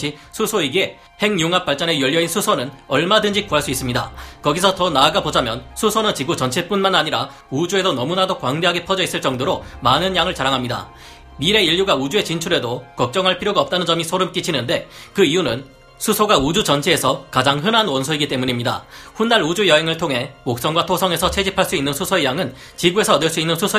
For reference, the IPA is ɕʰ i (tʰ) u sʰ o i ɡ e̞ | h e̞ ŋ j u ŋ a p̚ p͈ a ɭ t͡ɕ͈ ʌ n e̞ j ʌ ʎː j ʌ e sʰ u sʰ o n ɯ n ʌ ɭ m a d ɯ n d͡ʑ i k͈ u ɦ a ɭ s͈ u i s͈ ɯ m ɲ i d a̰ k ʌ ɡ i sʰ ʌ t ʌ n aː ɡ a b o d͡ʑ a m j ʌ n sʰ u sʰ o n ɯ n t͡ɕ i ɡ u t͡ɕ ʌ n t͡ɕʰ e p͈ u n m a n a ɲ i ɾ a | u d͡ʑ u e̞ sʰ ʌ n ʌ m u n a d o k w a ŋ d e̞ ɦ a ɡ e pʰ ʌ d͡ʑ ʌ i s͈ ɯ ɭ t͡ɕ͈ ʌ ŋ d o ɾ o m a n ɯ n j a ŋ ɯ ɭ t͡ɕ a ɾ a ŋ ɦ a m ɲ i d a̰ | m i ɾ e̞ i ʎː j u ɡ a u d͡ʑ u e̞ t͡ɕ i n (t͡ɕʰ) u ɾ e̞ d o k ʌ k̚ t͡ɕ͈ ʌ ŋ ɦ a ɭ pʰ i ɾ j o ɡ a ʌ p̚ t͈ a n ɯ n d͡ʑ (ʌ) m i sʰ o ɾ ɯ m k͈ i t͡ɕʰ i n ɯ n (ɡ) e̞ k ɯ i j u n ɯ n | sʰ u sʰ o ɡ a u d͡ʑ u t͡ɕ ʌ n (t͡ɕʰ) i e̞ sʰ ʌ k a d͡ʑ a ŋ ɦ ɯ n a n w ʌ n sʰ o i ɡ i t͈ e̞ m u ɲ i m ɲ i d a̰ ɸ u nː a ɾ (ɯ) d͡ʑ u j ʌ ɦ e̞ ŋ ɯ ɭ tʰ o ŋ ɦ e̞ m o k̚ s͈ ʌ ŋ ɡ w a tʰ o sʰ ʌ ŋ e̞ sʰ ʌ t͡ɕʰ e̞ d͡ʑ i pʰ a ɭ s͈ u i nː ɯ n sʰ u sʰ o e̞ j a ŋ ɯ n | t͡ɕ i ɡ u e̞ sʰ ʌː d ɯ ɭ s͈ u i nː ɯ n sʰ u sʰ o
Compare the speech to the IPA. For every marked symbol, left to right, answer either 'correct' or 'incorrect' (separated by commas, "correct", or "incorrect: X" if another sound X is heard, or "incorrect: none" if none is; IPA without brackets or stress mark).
incorrect: sʰ, correct, correct, incorrect: d, correct, incorrect: u